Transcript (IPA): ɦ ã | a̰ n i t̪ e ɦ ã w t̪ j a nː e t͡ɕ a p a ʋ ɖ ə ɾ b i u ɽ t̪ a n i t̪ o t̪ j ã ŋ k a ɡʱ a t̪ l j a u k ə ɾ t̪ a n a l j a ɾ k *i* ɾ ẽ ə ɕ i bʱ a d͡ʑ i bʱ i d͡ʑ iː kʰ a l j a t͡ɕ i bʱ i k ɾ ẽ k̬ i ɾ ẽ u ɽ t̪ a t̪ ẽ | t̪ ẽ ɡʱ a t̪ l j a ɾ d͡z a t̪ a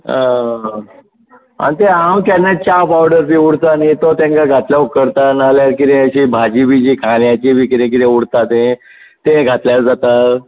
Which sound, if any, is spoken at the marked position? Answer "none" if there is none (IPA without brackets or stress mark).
i